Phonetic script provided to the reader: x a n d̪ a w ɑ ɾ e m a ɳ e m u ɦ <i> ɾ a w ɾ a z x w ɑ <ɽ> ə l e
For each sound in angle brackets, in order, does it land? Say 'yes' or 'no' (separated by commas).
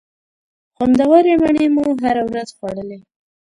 no, yes